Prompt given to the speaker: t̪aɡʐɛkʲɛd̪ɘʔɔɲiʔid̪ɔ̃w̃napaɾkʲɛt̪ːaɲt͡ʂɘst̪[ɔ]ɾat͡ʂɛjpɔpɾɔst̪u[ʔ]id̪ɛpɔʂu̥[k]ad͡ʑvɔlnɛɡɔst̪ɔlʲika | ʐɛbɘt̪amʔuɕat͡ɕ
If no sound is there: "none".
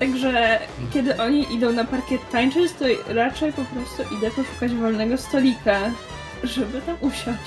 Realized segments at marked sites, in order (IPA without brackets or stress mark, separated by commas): ɔ, ʔ, k